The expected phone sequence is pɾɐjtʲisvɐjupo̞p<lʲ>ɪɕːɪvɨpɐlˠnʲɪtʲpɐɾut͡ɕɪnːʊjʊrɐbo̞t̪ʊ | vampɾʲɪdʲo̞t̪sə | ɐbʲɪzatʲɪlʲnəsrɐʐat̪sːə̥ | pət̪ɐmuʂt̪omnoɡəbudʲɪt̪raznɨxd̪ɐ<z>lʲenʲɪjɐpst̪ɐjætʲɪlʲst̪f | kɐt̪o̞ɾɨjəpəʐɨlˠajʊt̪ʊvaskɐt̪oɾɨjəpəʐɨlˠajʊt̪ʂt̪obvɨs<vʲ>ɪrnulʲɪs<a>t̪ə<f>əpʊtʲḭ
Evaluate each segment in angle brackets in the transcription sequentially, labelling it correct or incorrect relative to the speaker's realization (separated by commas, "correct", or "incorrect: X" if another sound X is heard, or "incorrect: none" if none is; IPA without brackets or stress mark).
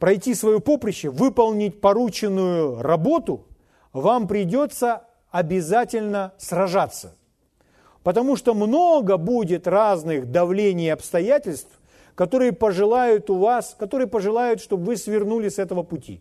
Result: incorrect: ɾʲ, incorrect: v, correct, incorrect: ɛ, incorrect: v